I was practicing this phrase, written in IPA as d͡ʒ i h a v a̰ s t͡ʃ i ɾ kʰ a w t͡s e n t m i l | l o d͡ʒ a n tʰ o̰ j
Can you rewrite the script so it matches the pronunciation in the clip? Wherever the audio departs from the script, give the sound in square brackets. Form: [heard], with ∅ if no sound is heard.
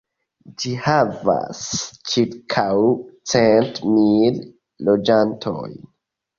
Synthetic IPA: d͡ʒ i h a v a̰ s t͡ʃ i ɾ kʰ a w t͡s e n t m i l | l o d͡ʒ a n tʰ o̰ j